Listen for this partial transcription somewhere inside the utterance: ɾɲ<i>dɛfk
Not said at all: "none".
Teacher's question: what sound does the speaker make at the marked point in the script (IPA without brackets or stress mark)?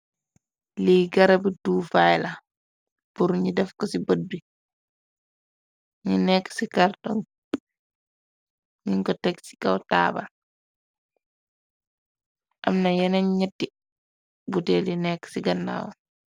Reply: i